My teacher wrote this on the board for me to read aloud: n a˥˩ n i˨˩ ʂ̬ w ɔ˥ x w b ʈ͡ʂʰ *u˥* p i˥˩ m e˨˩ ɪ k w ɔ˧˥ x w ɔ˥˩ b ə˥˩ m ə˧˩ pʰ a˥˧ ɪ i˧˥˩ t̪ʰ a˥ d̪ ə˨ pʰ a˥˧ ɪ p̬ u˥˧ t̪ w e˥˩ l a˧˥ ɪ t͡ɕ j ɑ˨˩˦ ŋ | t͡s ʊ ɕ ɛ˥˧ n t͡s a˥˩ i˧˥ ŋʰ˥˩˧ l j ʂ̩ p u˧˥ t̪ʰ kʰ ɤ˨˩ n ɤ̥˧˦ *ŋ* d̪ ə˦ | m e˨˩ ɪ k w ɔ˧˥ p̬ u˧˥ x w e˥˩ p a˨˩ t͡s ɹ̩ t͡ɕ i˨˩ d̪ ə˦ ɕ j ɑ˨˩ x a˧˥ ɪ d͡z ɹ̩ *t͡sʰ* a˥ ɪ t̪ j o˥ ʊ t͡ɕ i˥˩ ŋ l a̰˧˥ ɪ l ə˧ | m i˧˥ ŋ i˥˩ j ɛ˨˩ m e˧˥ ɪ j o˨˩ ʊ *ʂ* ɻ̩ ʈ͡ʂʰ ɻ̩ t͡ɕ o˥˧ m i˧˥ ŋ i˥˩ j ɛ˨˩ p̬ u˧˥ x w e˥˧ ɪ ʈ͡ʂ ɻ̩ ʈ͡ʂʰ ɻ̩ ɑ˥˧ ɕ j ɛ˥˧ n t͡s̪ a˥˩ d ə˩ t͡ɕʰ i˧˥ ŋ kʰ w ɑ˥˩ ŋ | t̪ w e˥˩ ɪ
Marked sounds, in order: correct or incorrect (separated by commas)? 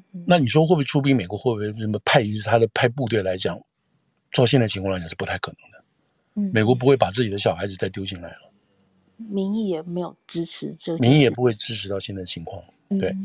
correct, correct, incorrect, incorrect